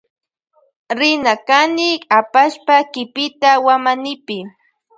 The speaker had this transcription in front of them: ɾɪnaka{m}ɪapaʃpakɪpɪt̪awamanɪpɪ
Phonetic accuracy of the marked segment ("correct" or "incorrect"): incorrect